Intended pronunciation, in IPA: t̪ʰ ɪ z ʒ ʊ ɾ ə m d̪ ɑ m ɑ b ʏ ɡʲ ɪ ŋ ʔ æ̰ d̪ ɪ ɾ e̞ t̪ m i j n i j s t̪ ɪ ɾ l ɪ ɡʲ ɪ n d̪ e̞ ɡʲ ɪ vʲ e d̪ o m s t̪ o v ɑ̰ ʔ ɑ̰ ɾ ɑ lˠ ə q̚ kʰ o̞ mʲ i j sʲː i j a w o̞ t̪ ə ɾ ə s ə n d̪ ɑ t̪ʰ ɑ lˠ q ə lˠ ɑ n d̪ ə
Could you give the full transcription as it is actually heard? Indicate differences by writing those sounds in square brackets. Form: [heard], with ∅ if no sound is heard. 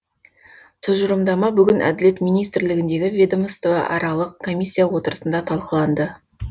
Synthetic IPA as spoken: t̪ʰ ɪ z ʒ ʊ ɾ ə m d̪ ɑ m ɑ b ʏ ɡʲ ɪ [n] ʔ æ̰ d̪ ɪ [l] e̞ t̪ m i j n i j s t̪ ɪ ɾ l ɪ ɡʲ ɪ n d̪ e̞ ɡʲ ɪ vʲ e d̪ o m s t̪ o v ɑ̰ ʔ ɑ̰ ɾ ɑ lˠ ə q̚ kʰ o̞ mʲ i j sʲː i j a w o̞ t̪ ə ɾ ə s ə n d̪ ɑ t̪ʰ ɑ lˠ q ə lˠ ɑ n d̪ ə